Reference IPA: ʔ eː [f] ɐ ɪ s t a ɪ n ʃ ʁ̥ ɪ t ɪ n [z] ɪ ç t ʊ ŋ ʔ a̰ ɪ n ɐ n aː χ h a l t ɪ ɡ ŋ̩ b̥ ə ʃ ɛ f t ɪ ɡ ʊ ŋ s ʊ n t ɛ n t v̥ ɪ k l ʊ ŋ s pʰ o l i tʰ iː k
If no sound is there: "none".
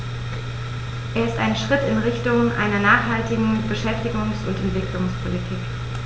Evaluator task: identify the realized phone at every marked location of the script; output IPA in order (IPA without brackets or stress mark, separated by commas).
none, ʁ